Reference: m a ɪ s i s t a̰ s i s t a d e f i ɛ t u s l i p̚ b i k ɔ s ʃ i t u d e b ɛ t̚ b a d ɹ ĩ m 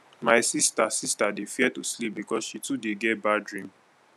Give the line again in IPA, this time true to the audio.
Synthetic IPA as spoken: m a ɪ s i s t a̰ s i s t a d e f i ɛ t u s l i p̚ b i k ɔ s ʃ i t u d e ɡ ɛ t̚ b a d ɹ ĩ m